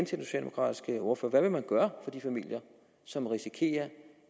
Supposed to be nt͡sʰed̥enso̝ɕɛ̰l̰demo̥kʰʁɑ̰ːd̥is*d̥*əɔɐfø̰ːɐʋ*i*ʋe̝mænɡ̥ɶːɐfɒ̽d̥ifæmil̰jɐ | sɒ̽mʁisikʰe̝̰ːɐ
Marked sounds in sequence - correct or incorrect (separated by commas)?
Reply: incorrect, incorrect